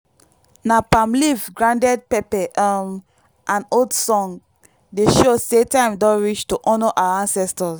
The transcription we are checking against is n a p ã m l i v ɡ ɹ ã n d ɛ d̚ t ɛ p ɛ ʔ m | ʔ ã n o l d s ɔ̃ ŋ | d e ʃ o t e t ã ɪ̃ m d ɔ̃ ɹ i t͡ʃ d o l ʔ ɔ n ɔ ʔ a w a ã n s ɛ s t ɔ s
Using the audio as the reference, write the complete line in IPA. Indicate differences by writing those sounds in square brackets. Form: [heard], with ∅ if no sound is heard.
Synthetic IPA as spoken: n a p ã m l i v ɡ ɹ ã n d ɛ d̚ [p] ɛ p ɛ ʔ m | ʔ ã n o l d s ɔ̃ ŋ | d e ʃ o [s] e t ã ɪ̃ m d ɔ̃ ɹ i t͡ʃ [t] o [∅] ʔ ɔ n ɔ ʔ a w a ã n s ɛ s t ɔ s